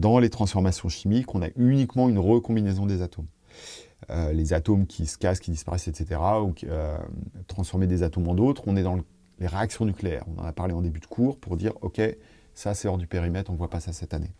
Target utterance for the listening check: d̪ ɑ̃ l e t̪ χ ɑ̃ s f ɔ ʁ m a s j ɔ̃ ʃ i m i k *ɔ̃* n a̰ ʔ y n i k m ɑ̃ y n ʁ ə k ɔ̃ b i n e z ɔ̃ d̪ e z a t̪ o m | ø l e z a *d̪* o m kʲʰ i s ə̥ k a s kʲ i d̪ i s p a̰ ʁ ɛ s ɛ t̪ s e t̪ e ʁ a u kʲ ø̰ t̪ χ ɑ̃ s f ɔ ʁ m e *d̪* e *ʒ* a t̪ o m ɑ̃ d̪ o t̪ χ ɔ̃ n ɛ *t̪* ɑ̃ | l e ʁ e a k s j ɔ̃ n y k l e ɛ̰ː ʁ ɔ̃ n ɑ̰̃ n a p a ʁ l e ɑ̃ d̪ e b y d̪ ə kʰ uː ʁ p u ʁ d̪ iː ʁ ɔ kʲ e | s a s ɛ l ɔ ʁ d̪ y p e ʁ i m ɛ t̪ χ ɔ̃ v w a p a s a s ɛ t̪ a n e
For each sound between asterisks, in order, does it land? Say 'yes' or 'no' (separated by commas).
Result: yes, no, yes, no, no